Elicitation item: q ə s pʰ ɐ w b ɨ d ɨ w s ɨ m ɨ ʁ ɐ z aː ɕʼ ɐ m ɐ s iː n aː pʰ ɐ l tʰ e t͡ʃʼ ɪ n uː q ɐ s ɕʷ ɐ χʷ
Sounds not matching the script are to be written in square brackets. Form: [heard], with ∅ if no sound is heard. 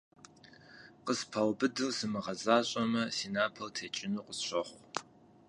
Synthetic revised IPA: q ə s pʰ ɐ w b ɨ d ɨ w s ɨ m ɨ ʁ ɐ z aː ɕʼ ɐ m ɐ s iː n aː pʰ ɐ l tʰ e t͡ʃʼ ɪ n uː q [ə] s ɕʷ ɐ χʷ